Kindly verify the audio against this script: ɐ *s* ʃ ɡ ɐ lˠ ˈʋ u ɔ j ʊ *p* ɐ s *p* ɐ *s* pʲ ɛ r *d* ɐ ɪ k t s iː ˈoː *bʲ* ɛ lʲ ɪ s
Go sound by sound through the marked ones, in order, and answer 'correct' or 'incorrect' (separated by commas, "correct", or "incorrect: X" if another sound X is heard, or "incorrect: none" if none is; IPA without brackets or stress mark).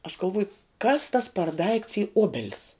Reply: incorrect: none, incorrect: k, incorrect: t, correct, correct, correct